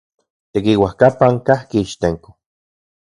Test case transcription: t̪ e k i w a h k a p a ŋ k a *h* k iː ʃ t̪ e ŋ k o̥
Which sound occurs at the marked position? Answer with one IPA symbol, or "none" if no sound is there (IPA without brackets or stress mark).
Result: h